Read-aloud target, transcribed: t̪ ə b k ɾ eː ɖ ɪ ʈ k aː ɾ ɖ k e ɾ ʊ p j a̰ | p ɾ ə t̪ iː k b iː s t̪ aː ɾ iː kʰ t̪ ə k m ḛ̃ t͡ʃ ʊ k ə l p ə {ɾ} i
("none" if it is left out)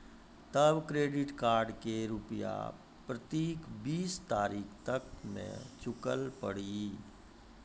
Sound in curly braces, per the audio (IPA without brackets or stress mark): ɽ